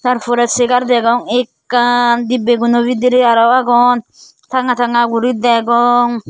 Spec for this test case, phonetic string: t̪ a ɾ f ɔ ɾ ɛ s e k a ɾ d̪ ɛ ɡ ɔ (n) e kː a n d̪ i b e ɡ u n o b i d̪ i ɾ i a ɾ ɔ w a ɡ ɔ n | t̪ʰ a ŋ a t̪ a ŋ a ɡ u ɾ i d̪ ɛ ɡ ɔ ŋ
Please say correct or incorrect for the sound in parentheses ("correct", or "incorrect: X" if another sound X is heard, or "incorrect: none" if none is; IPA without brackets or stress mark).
incorrect: ŋ